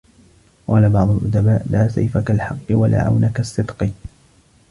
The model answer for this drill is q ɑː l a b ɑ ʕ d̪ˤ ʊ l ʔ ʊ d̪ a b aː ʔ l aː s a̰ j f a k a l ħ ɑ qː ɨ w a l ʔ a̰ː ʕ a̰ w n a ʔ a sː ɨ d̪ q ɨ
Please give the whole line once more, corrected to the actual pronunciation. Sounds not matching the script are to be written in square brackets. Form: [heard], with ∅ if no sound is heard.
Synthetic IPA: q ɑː l a b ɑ ʕ d̪ˤ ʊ l ʔ ʊ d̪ a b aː ʔ l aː s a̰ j f a k a l ħ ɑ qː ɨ w a l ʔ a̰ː ʕ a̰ w n a [k] a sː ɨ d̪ q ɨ